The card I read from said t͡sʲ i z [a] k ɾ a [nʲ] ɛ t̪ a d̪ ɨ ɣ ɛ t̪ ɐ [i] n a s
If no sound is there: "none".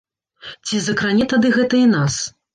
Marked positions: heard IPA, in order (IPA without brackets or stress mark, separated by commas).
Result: ɐ, nʲ, i